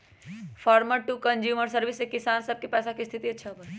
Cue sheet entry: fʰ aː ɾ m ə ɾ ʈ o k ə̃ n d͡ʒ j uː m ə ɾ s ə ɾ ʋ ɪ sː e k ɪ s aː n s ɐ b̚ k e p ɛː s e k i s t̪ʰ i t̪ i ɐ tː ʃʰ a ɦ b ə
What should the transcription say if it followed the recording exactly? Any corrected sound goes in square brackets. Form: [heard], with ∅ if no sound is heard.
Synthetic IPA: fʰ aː ɾ m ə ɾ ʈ [u] k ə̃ n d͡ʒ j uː m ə ɾ s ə ɾ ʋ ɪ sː e k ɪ s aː n s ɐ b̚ k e p ɛː s [a] k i s t̪ʰ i t̪ i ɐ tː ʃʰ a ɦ b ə